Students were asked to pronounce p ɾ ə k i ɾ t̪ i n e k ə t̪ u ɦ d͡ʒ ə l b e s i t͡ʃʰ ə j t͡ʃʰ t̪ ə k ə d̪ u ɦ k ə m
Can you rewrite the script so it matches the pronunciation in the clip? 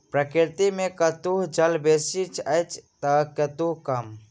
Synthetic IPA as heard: p ɾ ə k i ɾ t̪ i m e k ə t̪ u ɦ d͡ʒ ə l b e s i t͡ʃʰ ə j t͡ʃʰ t̪ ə k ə t̪ u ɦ k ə m